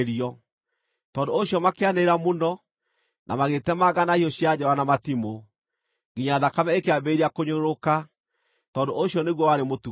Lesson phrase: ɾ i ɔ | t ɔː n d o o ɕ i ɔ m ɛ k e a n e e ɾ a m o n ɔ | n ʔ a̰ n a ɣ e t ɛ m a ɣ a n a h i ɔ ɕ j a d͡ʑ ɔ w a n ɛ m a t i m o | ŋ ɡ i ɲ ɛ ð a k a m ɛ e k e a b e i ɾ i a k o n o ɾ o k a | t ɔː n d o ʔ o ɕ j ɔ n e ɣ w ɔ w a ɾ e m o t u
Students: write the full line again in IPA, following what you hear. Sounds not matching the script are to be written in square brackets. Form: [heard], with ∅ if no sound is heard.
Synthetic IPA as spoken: ɾ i ɔ | t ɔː n d o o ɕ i ɔ m [a] k e a n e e ɾ a m o n ɔ | n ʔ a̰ [m] a ɣ e t ɛ m a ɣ a n a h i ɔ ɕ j a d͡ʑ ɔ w a n [a] m a t i m o | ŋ ɡ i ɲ [a] ð a k a m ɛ e k e a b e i ɾ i a k o [ɲ] o ɾ o k a | t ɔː n d o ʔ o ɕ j ɔ n e ɣ w ɔ w a ɾ e m o t u